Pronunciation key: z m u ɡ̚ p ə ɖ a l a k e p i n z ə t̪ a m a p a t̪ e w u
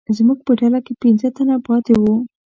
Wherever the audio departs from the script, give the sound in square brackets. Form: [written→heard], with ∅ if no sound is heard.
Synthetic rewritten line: z m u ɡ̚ p ə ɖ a l a k e p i n z ə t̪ a [m→n] a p [a→ɑ] t̪ e w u